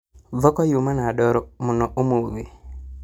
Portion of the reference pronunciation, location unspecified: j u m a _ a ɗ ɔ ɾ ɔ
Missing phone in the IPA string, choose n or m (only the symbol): n